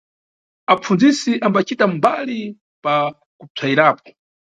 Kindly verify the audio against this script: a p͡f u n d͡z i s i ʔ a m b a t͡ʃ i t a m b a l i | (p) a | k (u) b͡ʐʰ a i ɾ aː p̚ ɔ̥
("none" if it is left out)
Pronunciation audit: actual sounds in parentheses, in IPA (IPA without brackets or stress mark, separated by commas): p, u